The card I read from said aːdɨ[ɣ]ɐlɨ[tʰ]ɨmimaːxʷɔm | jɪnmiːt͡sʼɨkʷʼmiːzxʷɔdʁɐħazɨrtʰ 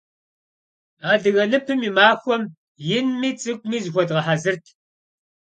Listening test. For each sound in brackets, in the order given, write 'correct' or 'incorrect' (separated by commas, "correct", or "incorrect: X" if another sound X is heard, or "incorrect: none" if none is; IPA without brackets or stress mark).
correct, incorrect: pʰ